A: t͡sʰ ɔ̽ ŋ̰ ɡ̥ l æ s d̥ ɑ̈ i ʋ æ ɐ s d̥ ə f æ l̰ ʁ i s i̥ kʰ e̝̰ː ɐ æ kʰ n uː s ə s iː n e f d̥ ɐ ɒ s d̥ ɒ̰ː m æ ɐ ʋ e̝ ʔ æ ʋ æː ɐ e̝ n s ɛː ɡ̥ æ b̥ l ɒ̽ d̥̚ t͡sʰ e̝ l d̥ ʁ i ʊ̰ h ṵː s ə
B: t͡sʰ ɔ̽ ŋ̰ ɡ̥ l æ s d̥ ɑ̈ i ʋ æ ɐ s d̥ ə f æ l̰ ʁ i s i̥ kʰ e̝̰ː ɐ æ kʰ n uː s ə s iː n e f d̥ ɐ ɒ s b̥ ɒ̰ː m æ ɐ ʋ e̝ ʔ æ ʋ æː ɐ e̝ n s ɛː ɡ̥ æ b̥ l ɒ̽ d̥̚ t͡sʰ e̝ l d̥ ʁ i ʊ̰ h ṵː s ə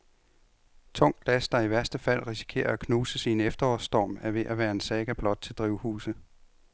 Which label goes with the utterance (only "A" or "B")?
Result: A